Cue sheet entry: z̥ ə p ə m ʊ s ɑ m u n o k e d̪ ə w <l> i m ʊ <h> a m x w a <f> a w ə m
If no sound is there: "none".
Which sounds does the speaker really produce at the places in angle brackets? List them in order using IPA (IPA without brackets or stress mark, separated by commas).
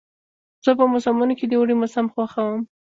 ɽ, s, x